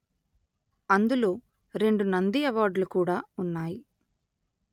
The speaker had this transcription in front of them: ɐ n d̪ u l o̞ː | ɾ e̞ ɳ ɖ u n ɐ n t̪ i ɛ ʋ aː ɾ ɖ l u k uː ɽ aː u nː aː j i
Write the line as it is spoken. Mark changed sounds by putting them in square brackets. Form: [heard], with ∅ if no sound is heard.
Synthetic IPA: ɐ n d̪ u l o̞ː | ɾ e̞ ɳ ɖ u n ɐ n [d̪] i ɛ ʋ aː ɾ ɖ l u k uː ɽ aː u nː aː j i

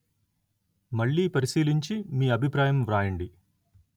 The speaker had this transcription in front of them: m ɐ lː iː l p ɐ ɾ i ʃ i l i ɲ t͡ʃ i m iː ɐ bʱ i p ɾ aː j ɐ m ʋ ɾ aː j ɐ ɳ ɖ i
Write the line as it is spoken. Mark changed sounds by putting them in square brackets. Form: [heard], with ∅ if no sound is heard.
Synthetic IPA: m ɐ [ɭː] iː [∅] p ɐ ɾ i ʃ [iː] l i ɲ t͡ʃ i m iː ɐ bʱ i p ɾ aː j ɐ m ʋ ɾ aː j ɐ ɳ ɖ i

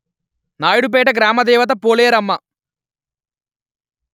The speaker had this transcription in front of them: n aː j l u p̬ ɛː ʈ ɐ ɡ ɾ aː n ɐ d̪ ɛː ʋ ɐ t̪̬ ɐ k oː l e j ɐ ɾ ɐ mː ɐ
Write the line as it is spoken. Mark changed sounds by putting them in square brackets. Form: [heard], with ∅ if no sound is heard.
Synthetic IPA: n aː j [ɽ] u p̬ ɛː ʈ ɐ ɡ ɾ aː [m] ɐ d̪ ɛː ʋ ɐ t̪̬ ɐ [p] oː l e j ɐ ɾ ɐ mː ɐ

